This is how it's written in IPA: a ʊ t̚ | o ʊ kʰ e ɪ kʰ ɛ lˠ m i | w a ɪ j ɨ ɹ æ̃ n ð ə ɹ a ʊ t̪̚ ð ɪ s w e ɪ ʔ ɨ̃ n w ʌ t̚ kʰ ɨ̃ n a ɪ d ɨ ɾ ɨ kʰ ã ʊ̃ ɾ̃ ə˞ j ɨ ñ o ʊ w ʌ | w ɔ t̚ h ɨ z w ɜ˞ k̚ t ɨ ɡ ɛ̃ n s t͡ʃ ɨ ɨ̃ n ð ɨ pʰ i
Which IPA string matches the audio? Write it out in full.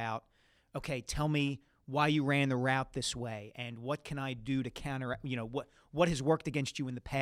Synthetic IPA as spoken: a ʊ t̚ | o ʊ kʰ e ɪ tʰ ɛ lˠ m i | w a ɪ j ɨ ɹ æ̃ n ð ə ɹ a ʊ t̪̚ ð ɪ s w e ɪ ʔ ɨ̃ n w ʌ t̚ kʰ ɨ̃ n a ɪ d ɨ ɾ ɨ kʰ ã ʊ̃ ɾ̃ ə˞ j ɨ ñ o ʊ w ʌ | w ʌ t̚ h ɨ z w ɜ˞ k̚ t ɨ ɡ ɛ̃ n s t͡ʃ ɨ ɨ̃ n ð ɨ pʰ æ